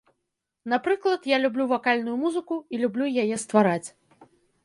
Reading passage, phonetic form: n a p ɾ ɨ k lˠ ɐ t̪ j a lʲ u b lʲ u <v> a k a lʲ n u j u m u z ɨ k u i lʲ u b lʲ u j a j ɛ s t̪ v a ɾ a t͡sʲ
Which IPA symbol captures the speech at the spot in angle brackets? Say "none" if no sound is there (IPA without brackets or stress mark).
v